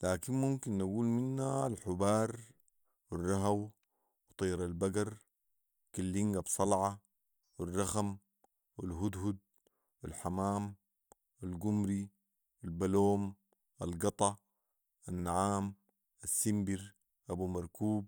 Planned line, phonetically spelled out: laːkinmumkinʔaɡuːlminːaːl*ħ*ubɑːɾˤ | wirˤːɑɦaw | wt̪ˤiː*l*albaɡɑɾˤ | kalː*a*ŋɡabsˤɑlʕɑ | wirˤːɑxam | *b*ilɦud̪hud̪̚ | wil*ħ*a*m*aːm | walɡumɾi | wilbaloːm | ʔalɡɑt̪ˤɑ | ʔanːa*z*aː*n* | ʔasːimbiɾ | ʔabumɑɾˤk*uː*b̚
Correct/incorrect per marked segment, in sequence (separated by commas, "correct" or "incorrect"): correct, incorrect, incorrect, incorrect, correct, correct, incorrect, incorrect, correct